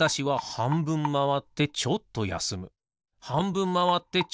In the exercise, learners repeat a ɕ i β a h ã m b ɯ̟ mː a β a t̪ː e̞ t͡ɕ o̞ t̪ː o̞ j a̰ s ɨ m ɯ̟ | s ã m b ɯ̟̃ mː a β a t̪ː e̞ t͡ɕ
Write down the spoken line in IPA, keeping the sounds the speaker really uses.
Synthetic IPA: a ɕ i β a h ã m b ɯ̟̃ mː a β a t̪ː e̞ t͡ɕ o̞ t̪ː o̞ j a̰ s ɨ m ɯ̟ | h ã m b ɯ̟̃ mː a β a t̪ː e̞ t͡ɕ